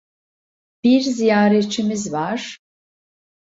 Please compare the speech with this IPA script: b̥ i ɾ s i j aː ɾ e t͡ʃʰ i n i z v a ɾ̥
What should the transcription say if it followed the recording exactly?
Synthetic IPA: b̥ i ɾ z i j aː ɾ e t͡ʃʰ i m i z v a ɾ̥